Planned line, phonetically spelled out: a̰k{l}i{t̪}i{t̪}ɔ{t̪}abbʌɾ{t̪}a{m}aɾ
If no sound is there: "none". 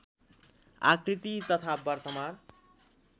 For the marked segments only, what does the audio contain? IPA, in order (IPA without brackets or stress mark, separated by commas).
ɾ, t̪, t̪, t̪ʰ, t̪, m